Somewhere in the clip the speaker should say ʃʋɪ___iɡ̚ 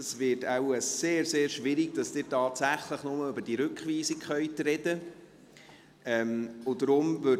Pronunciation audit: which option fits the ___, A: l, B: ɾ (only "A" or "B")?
B